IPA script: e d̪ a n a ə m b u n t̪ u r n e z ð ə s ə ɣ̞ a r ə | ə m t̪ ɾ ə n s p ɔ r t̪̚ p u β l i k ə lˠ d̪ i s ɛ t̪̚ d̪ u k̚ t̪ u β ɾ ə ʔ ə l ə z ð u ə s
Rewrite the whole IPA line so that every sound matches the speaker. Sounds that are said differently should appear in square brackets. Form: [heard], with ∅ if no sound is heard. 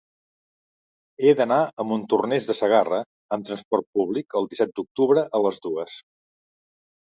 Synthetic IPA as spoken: e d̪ [ə] n a ə m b u n t̪ u r n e z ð ə s ə ɣ̞ a r ə | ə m t̪ ɾ ə n s p ɔ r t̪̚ p u β l i k ə lˠ d̪ i s ɛ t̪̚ d̪ u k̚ t̪ u β ɾ ə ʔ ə l ə z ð u ə s